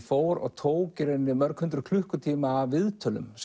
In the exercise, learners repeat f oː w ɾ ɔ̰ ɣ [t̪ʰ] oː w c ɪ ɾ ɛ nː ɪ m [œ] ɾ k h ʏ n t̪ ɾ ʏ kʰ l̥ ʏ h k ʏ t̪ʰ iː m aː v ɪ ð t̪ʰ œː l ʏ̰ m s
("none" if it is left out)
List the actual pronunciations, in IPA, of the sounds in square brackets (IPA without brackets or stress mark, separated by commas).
t̪ʰ, œ